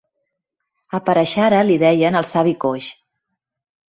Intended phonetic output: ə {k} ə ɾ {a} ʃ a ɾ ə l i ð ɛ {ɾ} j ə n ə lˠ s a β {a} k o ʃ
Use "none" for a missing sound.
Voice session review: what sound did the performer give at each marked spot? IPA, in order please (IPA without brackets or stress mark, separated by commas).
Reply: p, ə, none, i